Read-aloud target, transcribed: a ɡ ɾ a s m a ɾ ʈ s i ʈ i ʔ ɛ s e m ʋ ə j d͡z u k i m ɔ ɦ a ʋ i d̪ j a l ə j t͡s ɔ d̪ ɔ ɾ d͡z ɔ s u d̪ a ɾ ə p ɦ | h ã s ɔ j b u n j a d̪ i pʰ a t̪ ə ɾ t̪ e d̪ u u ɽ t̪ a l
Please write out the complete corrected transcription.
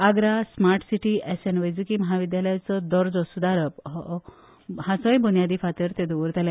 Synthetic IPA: a ɡ ɾ a s m a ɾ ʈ s i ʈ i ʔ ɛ s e n ʋ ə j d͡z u k i m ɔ ɦ a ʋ i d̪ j a l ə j t͡s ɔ d̪ ɔ ɾ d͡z ɔ s u d̪ a ɾ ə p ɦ | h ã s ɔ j b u n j a d̪ i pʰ a t̪ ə ɾ t̪ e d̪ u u ɾ t̪ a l